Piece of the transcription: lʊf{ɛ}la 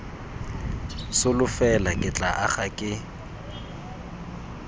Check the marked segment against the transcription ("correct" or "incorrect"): correct